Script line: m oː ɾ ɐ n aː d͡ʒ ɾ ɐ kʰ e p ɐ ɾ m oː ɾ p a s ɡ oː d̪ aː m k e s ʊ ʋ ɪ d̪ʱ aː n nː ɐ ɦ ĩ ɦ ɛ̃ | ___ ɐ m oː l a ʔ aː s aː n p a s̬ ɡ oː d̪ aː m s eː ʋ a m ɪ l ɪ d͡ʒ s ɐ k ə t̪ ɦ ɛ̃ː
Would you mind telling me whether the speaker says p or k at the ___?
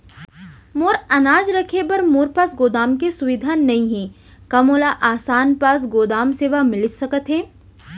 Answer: k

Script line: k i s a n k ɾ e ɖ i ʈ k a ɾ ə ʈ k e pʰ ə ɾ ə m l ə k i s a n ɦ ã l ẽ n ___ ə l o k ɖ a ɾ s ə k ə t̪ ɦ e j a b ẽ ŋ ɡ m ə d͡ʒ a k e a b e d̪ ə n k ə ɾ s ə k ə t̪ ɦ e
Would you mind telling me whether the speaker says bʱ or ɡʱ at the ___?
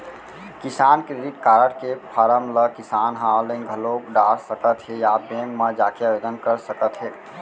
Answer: ɡʱ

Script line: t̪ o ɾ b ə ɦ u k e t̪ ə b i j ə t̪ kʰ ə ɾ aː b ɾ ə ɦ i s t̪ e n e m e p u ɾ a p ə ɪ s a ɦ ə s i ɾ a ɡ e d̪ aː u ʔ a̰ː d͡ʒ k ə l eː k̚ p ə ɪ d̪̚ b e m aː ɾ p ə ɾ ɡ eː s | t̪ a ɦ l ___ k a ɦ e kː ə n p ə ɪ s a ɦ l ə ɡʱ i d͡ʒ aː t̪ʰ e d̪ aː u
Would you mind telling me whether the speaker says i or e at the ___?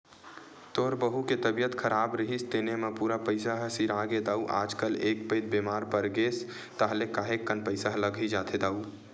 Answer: e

